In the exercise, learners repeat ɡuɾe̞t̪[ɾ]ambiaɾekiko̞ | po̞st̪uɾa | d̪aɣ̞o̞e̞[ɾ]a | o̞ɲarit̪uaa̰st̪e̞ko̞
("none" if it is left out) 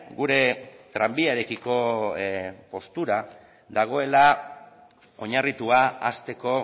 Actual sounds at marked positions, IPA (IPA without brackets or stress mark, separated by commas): ɾ, l